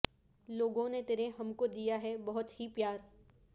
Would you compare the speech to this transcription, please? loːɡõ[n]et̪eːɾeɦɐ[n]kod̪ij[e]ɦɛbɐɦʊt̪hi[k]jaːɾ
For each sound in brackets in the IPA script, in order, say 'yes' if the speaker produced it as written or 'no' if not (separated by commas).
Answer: yes, no, no, no